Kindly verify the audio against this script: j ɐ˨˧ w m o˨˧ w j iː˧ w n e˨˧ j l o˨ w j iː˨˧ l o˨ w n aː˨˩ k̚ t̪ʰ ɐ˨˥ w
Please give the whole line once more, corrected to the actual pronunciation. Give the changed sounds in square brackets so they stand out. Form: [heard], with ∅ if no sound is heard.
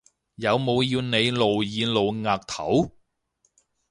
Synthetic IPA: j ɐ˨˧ w m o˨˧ w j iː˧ w n e˨˧ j l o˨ w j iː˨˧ l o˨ w [ŋ] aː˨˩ k̚ t̪ʰ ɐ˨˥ w